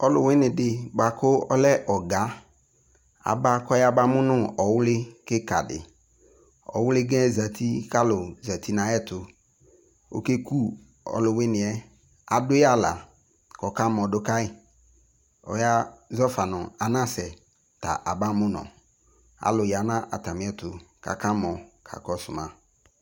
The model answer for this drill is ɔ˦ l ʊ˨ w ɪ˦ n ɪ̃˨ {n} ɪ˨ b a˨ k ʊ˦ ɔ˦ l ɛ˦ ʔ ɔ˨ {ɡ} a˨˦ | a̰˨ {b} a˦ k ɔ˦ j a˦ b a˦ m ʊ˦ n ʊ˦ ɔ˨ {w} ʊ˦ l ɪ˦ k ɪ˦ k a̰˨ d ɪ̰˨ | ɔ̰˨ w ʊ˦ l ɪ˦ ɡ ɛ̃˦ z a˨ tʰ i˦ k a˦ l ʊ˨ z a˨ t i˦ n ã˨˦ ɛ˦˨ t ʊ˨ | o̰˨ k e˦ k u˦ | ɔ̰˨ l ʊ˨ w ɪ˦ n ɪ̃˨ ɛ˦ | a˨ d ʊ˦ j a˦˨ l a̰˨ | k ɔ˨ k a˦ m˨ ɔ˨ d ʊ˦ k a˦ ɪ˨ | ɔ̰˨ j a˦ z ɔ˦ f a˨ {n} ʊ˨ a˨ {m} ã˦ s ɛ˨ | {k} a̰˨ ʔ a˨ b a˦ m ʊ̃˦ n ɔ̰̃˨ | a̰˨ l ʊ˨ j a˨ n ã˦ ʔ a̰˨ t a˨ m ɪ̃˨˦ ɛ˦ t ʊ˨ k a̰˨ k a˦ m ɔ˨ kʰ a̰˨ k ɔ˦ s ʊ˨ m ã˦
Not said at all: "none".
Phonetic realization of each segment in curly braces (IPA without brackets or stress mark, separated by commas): d, ɡ, b, w, n, n, t